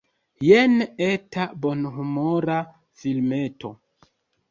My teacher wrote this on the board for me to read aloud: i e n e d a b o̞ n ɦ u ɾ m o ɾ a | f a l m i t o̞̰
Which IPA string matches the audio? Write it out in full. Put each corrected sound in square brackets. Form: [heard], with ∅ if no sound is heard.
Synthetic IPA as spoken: [j] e n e [t] a b o̞ n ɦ u [∅] m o ɾ a | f [i] l m [e] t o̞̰